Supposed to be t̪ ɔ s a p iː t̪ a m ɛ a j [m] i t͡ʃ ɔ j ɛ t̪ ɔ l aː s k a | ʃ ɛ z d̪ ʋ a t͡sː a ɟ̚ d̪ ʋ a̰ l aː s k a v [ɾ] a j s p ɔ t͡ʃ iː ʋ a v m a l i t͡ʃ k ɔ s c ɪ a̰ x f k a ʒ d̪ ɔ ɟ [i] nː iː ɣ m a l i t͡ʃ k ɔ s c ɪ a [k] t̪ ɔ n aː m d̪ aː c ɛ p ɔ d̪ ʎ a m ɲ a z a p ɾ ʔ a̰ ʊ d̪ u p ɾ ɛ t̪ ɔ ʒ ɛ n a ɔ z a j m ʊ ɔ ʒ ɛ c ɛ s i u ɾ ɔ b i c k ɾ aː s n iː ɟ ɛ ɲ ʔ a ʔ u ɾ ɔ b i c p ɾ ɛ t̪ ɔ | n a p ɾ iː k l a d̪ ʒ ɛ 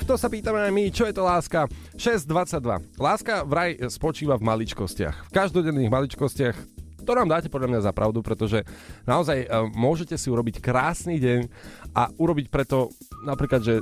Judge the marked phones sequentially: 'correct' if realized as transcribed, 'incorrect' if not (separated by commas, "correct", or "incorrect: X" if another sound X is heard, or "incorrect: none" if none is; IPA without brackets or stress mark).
correct, correct, incorrect: ɛ, incorrect: x